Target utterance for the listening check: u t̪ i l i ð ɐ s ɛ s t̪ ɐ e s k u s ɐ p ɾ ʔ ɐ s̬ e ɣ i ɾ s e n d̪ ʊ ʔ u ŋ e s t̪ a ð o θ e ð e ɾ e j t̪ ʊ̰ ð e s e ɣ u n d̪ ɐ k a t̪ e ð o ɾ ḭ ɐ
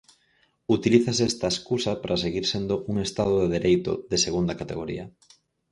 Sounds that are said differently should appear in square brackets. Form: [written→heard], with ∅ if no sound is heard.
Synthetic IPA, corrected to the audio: u t̪ i l i [ð→θ] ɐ s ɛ s t̪ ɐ e s k u s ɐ p ɾ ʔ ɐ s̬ e ɣ i ɾ s e n d̪ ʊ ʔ u ŋ e s t̪ a ð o [θ→ð] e ð e ɾ e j t̪ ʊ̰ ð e s e ɣ u n d̪ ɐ k a t̪ e [ð→ɣ] o ɾ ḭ ɐ